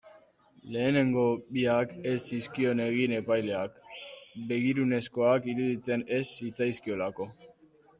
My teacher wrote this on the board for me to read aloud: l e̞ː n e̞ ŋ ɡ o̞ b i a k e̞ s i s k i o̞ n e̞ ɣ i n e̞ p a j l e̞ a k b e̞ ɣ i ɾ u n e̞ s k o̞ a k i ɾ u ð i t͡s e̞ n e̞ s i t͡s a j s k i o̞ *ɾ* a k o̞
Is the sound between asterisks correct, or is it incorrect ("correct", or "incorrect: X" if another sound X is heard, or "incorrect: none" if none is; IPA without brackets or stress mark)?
incorrect: l